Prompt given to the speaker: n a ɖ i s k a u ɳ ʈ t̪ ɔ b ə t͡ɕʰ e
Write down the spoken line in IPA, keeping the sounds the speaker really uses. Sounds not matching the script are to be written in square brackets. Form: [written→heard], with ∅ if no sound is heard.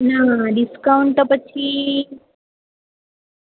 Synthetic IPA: n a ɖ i s k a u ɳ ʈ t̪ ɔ [b→p] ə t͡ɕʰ [e→i]